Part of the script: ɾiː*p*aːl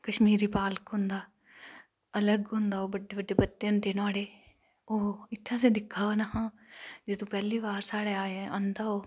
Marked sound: correct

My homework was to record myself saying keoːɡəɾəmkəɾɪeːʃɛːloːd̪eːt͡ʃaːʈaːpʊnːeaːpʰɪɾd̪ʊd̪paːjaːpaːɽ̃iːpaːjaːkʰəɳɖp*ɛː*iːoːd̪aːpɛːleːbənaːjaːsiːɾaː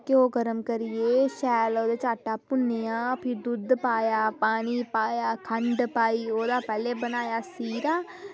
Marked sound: incorrect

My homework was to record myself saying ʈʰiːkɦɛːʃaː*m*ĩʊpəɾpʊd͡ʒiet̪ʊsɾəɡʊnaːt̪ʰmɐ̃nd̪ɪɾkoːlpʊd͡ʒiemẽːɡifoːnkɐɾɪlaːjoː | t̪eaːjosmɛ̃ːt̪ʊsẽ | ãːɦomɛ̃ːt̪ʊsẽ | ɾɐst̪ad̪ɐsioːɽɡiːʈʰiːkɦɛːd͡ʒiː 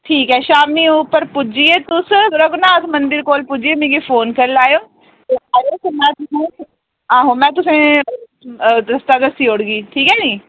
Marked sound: correct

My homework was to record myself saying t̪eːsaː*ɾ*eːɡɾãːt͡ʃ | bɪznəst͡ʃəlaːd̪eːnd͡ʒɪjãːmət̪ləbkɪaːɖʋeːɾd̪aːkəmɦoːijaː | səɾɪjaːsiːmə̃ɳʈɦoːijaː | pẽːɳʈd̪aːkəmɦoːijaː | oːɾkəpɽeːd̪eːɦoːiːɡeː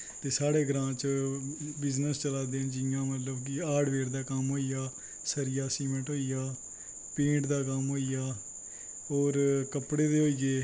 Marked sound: incorrect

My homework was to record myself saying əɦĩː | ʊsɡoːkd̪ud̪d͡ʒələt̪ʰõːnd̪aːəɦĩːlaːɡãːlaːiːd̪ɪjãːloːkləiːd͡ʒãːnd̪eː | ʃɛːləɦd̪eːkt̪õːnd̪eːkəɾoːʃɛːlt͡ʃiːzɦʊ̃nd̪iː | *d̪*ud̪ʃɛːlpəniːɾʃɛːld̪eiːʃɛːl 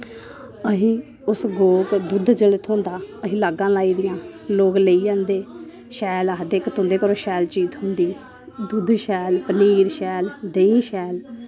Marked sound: correct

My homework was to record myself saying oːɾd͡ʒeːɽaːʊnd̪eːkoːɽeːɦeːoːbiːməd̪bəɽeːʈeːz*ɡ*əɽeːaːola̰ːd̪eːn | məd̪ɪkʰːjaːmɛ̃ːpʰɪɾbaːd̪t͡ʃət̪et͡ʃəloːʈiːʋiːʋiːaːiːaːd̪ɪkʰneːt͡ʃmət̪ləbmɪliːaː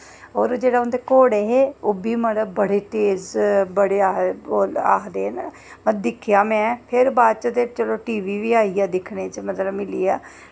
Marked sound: incorrect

